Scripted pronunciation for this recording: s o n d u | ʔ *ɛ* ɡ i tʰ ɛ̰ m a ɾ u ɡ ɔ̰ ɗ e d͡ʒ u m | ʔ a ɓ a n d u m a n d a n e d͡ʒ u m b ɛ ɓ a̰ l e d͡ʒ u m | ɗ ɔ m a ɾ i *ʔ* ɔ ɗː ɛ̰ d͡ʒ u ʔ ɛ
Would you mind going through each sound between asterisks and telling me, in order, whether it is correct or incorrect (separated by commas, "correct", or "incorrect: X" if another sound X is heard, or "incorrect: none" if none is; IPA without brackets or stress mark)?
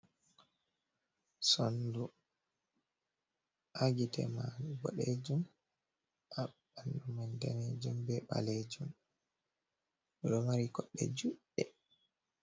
incorrect: a, incorrect: k